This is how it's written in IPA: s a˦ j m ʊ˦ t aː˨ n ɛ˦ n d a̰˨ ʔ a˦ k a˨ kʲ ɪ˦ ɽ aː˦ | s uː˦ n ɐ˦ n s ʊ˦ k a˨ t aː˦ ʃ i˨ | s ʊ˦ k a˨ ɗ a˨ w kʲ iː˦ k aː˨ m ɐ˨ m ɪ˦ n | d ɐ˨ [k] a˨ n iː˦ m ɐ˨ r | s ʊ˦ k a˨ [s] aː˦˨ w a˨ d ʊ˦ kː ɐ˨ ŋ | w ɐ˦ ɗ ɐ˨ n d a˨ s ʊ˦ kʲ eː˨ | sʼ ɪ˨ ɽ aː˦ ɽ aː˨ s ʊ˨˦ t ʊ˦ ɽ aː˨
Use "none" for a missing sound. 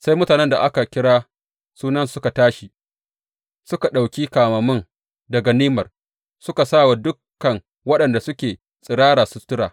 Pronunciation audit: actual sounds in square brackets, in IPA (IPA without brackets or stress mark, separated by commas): ɡ, s